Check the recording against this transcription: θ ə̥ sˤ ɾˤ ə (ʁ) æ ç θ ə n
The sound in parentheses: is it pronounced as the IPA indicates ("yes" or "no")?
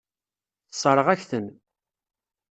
yes